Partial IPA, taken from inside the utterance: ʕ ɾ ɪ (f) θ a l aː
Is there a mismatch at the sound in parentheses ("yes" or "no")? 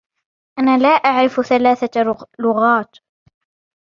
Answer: no